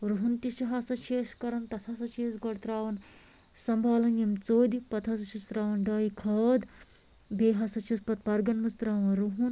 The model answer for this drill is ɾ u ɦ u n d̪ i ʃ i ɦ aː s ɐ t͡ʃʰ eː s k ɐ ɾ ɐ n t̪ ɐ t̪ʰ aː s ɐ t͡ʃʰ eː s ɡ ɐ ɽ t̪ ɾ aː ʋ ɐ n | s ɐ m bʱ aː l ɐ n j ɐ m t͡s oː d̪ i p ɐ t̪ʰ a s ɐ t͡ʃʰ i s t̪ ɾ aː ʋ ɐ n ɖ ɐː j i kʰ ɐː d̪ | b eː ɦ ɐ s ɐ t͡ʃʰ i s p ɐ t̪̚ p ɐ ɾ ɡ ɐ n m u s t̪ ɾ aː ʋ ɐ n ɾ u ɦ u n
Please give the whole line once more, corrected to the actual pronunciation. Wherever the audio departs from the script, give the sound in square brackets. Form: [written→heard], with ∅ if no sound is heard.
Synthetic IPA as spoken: ɾ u ɦ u n [d̪→t̪] i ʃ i ɦ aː s ɐ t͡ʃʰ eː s k ɐ ɾ ɐ n t̪ ɐ t̪ʰ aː s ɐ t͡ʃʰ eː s ɡ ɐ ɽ t̪ ɾ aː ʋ ɐ n | s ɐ m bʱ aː l ɐ n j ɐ m t͡s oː d̪ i p ɐ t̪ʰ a s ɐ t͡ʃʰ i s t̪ ɾ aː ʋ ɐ n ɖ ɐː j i kʰ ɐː d̪ | b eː ɦ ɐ s ɐ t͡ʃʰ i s p ɐ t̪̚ p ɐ ɾ ɡ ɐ n m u s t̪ ɾ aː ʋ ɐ n ɾ u ɦ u n